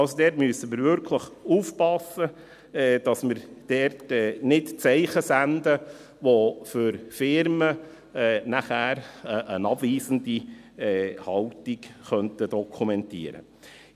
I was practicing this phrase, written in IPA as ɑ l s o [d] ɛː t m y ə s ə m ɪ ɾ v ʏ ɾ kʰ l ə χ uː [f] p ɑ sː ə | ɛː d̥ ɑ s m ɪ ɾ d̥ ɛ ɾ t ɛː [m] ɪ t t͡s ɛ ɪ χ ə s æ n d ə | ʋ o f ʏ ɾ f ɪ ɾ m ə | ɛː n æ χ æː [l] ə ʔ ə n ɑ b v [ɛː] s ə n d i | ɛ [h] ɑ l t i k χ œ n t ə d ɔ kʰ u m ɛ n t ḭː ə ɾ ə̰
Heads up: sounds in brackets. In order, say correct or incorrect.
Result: correct, correct, incorrect: n, incorrect: ɾ, incorrect: iː, correct

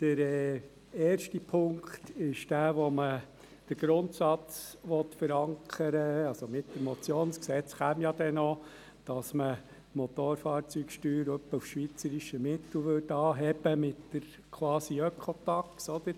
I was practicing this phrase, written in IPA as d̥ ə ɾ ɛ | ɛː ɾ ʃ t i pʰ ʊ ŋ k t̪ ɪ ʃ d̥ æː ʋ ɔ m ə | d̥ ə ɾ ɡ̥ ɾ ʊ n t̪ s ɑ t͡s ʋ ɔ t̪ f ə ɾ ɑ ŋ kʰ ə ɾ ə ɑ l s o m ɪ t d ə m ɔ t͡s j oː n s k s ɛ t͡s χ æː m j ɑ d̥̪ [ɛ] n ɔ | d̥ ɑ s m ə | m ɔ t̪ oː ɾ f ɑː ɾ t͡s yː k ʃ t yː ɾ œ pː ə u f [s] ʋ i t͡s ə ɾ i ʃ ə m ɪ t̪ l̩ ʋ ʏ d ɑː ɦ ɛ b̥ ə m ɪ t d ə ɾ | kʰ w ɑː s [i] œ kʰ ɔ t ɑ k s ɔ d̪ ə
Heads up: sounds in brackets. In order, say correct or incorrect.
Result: correct, incorrect: ʃ, correct

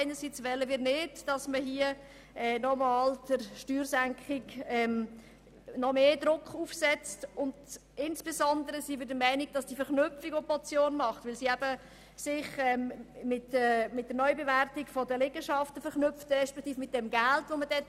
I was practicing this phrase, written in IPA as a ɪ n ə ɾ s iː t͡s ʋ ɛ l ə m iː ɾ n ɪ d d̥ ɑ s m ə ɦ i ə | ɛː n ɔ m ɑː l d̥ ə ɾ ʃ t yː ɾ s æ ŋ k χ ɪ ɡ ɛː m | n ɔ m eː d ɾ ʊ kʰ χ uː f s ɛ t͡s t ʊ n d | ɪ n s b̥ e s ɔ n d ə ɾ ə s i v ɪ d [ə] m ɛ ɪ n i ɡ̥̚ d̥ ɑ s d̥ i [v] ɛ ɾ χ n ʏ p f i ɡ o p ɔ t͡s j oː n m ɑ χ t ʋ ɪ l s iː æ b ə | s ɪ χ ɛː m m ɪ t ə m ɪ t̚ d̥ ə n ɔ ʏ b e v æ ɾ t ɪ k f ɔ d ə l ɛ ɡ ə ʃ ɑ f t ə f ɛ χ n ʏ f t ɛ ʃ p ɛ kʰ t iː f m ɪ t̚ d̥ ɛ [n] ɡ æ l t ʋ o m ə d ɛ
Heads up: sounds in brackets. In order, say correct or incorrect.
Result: correct, incorrect: f, incorrect: m

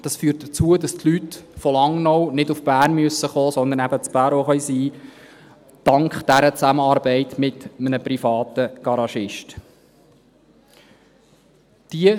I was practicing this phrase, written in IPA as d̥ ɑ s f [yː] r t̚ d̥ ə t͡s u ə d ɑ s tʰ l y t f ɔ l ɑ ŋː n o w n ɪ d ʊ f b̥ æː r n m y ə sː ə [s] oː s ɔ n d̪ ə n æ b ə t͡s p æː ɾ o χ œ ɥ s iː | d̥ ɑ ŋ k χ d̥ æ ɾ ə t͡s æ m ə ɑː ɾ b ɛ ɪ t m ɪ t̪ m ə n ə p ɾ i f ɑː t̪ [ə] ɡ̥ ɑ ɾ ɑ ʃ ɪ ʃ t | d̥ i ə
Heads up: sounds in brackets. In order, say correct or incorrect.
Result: correct, incorrect: χ, correct

